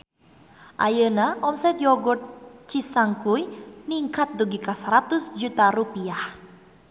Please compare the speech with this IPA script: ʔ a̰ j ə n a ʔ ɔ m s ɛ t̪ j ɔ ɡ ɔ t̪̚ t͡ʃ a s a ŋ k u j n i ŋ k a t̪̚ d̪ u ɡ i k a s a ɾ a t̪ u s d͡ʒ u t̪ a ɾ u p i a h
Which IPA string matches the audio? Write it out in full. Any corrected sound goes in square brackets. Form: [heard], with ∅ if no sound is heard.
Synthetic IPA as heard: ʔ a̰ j ə n a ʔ ɔ m s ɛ t̪ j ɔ ɡ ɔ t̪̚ t͡ʃ [i] s a ŋ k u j n i ŋ k a t̪̚ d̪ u ɡ i k a s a ɾ a t̪ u s d͡ʒ u t̪ a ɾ u p i a h